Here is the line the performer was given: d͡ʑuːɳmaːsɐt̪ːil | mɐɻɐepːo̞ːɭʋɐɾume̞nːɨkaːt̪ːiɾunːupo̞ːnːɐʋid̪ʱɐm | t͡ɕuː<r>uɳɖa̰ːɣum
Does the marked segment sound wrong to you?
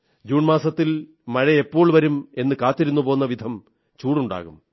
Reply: yes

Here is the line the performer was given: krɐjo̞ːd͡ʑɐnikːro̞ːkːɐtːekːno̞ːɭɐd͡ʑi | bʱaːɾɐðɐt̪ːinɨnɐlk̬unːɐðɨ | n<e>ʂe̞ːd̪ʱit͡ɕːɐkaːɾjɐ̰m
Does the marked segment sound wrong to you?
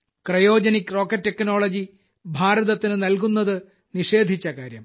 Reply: yes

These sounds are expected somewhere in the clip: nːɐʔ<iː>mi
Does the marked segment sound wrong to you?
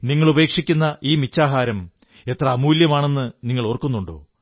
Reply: no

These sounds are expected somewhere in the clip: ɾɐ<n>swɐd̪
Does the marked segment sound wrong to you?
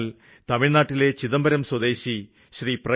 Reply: yes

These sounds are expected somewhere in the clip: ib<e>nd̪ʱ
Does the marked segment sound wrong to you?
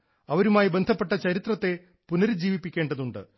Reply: no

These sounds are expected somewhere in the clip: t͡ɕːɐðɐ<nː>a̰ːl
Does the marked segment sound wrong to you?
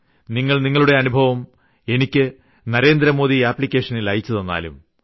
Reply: no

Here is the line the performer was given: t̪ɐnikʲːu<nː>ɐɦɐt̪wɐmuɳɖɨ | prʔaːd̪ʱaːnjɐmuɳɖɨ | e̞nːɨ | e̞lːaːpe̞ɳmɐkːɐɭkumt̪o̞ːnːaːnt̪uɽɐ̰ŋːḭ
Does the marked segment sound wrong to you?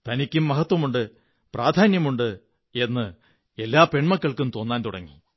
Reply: yes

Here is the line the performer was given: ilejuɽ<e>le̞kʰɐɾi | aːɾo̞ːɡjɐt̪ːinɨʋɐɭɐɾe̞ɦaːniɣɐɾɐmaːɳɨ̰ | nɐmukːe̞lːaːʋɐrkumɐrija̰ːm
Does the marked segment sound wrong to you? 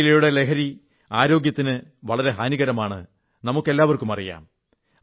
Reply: no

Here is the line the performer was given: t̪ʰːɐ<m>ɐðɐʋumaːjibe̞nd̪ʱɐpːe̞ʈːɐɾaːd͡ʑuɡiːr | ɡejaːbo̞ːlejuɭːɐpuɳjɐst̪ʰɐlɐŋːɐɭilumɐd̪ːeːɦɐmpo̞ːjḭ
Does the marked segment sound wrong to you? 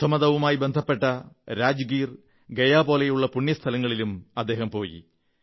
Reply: no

